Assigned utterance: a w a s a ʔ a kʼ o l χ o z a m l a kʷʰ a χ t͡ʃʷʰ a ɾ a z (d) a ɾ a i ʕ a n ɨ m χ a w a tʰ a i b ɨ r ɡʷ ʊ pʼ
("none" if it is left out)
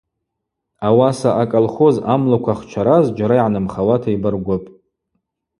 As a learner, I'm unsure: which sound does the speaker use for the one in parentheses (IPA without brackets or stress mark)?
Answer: d͡ʒ